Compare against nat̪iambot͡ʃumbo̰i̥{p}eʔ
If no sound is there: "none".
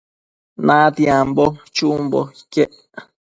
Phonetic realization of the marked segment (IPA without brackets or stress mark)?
k